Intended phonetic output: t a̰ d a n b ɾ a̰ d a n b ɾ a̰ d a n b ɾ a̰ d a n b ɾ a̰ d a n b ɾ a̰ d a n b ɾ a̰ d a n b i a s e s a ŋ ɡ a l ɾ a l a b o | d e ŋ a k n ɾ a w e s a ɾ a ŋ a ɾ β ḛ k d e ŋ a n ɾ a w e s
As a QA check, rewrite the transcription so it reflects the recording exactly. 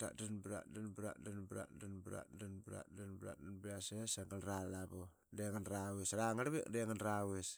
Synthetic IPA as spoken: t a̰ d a n b ɾ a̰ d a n b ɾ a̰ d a n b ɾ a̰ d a n b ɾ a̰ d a n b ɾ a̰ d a n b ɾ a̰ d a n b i a s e s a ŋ ɡ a l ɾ a l a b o | d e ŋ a n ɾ a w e s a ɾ a ŋ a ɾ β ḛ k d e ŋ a n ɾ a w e s